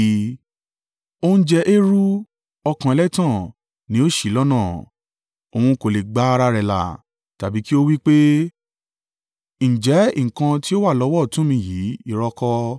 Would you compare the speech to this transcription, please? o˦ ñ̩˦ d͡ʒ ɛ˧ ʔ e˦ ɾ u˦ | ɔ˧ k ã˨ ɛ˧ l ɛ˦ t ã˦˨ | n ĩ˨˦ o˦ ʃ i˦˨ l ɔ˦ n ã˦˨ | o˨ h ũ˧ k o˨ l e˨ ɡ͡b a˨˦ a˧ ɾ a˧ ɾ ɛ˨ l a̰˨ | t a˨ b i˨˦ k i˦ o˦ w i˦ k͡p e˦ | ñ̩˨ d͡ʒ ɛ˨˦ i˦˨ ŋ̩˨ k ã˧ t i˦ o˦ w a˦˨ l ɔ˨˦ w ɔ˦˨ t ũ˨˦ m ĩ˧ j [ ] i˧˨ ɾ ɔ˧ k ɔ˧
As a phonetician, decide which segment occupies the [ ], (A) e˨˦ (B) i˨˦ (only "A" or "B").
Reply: B